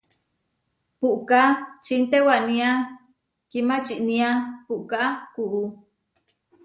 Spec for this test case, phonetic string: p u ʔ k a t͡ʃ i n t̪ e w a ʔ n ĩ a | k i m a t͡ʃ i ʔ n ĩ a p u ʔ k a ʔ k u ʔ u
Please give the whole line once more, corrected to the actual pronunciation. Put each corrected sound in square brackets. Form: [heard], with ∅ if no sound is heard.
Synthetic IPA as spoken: p u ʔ k a t͡ʃ i n t̪ e w a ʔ n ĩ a | k i m a t͡ʃ i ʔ n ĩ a p u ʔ k a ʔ k u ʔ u